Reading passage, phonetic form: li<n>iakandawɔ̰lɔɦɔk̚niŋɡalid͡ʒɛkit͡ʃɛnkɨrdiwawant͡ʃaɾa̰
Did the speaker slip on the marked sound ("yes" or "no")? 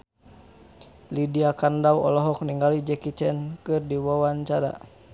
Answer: yes